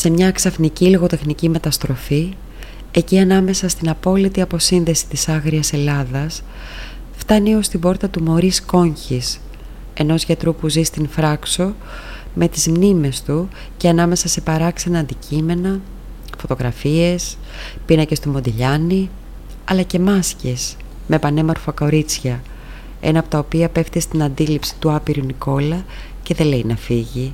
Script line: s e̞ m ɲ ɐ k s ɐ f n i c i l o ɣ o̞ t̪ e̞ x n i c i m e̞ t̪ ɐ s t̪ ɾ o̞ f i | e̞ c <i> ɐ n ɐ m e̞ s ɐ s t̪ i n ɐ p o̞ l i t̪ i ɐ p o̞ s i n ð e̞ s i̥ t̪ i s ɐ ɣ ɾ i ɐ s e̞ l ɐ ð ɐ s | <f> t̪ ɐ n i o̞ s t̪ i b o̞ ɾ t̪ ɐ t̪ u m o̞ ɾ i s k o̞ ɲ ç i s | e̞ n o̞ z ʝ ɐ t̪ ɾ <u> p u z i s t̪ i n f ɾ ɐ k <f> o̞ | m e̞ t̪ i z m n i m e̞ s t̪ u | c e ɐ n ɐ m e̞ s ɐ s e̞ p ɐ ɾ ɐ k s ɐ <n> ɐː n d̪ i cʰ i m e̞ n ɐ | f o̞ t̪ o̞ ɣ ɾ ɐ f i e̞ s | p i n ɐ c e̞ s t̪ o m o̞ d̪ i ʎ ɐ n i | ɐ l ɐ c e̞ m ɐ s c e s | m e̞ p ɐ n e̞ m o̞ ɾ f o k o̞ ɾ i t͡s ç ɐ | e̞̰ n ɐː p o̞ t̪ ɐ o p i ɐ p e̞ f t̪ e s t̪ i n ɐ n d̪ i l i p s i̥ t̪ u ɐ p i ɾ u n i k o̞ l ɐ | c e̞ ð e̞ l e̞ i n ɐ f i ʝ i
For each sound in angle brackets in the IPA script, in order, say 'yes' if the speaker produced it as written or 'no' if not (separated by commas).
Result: yes, yes, yes, no, yes